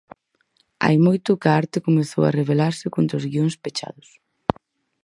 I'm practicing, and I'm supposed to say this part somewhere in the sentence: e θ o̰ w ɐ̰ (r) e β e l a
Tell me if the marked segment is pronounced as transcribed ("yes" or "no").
yes